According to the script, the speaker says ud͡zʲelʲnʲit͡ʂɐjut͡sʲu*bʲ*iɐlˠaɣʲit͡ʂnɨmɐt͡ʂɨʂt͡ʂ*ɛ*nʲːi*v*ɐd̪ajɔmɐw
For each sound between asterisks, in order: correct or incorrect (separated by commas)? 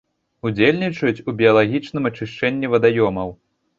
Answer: correct, correct, correct